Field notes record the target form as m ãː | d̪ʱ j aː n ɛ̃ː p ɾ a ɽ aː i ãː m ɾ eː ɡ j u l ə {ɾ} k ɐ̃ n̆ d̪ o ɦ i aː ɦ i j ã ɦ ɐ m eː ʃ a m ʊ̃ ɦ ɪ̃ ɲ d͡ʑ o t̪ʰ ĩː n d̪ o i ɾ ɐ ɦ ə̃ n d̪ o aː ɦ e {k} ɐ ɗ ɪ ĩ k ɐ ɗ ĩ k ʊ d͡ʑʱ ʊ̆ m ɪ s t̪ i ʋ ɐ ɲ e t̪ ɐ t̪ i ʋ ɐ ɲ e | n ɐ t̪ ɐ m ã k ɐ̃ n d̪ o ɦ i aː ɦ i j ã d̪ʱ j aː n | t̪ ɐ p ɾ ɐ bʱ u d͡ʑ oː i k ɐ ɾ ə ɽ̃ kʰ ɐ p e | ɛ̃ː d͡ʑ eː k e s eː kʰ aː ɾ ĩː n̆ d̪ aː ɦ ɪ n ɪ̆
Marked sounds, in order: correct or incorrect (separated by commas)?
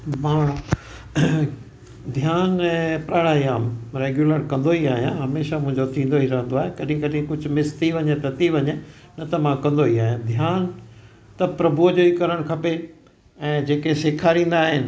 correct, correct